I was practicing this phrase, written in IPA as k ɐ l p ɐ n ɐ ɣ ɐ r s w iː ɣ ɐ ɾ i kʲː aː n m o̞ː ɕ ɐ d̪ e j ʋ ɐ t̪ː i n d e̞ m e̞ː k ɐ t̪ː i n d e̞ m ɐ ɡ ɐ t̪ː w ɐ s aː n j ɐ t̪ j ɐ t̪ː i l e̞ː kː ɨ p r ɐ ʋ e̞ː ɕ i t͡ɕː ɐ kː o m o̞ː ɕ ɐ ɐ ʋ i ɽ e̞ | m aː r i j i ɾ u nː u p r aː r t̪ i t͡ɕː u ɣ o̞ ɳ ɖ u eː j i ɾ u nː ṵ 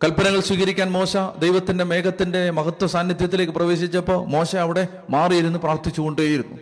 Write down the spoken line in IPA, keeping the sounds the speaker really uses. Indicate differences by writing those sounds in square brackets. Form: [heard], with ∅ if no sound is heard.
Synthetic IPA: k ɐ l p ɐ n ɐ ɣ ɐ [ɭ] s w iː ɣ ɐ ɾ i kʲː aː n m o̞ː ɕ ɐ d̪ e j ʋ ɐ t̪ː i n d e̞ m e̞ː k ɐ t̪ː i n d e̞ m ɐ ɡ ɐ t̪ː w ɐ s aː n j ɐ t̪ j ɐ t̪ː i l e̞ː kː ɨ p r ɐ ʋ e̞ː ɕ i t͡ɕː ɐ [pː] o m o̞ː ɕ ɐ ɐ ʋ i ɽ e̞ | m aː r i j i ɾ u nː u p r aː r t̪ i t͡ɕː u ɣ o̞ ɳ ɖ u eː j i ɾ u nː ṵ